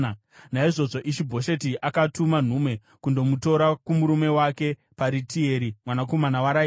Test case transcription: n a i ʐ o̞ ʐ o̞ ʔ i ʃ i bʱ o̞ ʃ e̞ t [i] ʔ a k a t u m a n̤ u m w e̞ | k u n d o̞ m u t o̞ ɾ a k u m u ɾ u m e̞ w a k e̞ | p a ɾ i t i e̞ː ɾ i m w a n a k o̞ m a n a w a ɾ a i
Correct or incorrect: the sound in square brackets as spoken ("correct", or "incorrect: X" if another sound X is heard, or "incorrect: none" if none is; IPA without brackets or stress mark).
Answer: correct